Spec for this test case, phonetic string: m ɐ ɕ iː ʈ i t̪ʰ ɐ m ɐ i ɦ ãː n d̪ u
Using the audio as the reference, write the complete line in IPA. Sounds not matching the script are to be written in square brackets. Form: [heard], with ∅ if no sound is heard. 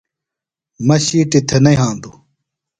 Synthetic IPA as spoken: m ɐ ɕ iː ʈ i t̪ʰ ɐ [n] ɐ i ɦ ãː n d̪ u